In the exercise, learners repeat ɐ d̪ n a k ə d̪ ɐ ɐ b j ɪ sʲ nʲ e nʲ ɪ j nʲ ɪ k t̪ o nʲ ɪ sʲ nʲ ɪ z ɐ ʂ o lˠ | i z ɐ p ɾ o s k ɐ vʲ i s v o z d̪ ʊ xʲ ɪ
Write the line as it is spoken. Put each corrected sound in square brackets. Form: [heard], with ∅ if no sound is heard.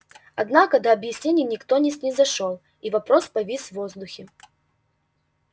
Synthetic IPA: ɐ d̪ n a k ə d̪ ɐ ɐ b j ɪ sʲ nʲ e nʲ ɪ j nʲ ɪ k t̪ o nʲ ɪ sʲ nʲ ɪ z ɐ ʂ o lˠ | i [v] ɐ p ɾ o s [p] ɐ vʲ i s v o z d̪ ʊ xʲ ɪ